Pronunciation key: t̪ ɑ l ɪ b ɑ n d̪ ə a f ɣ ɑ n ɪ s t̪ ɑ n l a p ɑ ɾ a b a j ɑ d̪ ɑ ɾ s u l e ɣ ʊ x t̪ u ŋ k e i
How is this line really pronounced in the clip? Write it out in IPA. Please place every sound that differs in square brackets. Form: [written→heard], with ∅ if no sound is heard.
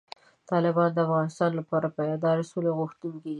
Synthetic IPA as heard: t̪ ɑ l ɪ b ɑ n d̪ ə a f ɣ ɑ n ɪ s t̪ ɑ n l a p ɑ ɾ a [b→p] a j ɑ d̪ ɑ ɾ s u l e ɣ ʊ x t̪ u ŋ k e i